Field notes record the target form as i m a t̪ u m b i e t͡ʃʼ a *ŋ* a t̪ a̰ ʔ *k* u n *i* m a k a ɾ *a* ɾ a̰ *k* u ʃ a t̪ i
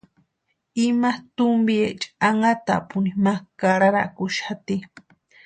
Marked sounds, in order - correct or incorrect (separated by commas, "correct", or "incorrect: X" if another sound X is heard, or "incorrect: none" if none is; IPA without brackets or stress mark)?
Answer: correct, incorrect: p, correct, correct, correct